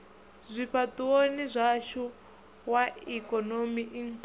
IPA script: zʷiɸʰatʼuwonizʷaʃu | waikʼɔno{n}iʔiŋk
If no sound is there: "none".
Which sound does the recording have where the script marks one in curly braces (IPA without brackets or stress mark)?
m